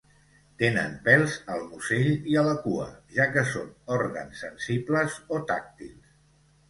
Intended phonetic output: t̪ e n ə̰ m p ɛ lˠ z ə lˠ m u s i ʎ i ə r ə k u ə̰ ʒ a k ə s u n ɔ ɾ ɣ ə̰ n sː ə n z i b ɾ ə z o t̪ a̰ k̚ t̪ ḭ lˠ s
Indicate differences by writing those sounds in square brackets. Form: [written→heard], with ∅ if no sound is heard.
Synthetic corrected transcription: t̪ e n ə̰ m p ɛ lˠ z ə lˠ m u s [i→e] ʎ i ə [r→l] ə k u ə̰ ʒ a k ə s [u→o] n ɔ ɾ ɣ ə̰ n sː ə n [z→s] i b [ɾ→l] ə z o t̪ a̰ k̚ t̪ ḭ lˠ s